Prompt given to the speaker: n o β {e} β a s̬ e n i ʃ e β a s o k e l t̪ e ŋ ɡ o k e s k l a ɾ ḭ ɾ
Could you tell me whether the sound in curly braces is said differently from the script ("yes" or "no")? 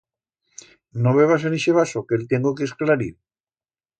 no